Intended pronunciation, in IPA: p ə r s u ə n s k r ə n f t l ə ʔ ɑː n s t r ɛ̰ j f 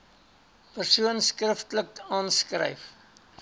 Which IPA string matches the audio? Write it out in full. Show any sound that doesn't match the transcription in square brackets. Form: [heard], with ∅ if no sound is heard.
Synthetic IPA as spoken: p ə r s u ə n s k r ə [∅] f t l ə [k] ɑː n s [k] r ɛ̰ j f